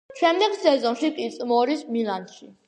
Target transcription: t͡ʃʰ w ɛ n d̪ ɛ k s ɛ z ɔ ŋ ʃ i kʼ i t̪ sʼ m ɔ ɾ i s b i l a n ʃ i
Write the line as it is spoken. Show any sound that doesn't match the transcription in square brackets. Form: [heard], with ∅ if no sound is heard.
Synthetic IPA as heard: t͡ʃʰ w ɛ [m] d̪ ɛ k s ɛ z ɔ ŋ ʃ i kʼ i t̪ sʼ m ɔ ɾ i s [m] i l a n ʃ i